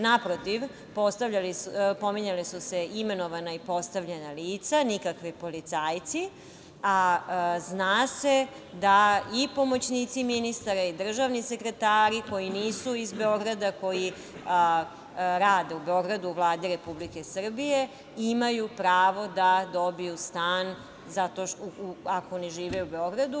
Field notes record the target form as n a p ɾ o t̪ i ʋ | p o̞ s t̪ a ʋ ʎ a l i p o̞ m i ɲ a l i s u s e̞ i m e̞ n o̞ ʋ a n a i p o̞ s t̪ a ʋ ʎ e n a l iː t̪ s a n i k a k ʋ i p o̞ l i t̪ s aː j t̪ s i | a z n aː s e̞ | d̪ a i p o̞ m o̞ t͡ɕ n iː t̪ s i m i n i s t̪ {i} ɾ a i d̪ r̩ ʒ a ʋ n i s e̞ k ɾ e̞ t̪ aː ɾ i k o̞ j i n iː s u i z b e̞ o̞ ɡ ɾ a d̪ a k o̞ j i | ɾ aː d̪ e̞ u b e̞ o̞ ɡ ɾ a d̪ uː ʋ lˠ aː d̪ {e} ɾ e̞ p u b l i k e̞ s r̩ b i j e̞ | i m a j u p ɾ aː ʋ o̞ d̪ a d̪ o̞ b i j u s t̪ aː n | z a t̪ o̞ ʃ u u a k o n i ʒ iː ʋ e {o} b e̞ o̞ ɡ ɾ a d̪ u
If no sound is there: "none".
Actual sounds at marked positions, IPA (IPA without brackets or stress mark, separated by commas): a, i, u